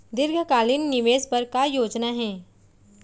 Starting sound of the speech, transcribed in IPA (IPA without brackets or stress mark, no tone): d̪